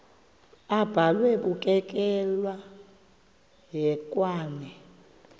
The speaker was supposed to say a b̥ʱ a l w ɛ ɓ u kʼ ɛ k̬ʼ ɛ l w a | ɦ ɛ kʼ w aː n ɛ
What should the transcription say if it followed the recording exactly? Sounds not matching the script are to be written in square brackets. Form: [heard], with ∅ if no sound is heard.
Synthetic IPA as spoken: a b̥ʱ a l w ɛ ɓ u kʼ ɛ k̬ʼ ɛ l w a | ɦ ɛ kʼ w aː n ɛ